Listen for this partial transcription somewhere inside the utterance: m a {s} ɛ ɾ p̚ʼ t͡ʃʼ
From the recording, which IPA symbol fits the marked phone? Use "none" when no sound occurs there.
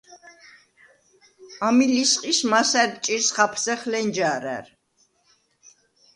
s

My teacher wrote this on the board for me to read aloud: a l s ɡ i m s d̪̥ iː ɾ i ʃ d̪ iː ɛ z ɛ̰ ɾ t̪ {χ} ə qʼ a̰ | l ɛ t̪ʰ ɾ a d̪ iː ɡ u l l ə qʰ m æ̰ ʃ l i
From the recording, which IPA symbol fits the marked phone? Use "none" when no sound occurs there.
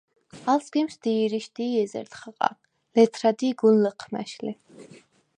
χ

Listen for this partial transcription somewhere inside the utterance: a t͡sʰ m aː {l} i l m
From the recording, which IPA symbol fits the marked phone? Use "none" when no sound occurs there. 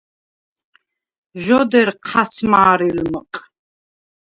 ɾ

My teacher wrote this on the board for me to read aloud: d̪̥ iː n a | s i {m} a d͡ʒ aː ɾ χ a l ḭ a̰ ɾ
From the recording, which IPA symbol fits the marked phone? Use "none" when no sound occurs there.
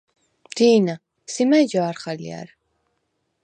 m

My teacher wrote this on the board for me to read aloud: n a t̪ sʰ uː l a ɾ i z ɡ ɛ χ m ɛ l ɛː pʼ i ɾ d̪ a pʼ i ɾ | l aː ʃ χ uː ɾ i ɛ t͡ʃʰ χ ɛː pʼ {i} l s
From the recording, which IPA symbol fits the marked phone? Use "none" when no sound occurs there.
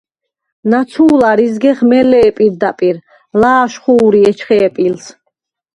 i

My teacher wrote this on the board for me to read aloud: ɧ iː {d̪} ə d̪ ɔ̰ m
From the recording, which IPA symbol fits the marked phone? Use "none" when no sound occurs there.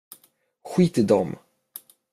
t̪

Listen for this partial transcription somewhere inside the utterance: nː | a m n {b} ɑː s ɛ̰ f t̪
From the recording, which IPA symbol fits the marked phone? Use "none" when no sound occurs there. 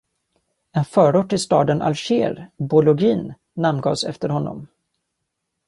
ɡ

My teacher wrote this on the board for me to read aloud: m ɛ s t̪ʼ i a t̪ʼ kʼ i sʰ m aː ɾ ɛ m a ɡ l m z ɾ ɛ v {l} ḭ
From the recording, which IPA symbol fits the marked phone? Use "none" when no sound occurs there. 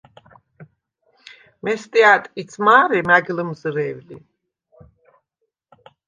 l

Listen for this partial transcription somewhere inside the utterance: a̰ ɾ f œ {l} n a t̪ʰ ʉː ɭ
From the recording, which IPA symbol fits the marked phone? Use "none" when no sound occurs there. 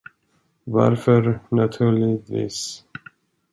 ɾ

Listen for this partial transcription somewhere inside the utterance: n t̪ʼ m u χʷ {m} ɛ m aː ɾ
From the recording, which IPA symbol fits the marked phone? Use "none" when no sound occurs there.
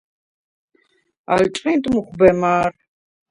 b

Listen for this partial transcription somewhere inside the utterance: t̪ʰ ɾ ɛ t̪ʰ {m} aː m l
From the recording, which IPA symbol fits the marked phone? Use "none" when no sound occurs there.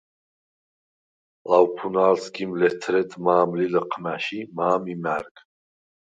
m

